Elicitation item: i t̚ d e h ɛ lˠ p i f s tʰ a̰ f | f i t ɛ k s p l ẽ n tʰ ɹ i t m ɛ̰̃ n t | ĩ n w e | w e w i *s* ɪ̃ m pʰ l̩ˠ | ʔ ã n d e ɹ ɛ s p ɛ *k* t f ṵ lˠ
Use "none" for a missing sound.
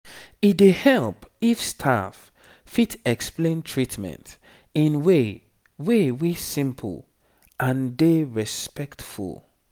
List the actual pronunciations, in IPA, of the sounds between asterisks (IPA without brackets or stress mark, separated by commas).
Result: s, k